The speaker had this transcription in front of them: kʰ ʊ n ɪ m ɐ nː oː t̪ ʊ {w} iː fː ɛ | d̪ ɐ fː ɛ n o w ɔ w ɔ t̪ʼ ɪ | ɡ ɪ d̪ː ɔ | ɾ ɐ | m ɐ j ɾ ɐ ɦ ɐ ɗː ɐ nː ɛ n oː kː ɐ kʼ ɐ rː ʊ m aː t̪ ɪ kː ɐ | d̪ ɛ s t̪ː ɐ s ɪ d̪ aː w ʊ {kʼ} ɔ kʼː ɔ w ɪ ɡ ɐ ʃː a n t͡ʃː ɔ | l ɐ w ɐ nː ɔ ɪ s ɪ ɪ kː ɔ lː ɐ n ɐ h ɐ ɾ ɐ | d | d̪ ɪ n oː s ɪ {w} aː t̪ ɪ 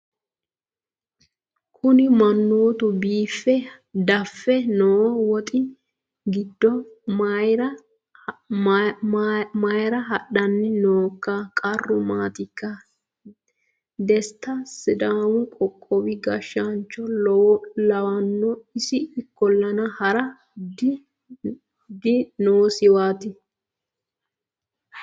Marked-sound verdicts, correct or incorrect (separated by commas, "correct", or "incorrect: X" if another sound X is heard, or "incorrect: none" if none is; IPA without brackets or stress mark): incorrect: b, correct, correct